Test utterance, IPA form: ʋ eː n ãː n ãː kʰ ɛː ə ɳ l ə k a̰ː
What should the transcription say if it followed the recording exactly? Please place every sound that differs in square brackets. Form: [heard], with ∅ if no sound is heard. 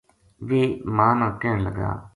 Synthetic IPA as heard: ʋ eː [m] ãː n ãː [k] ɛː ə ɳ l ə [ɡ] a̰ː